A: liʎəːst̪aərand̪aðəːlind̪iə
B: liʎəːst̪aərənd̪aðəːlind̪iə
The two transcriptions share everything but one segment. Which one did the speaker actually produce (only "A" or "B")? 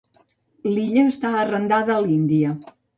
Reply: B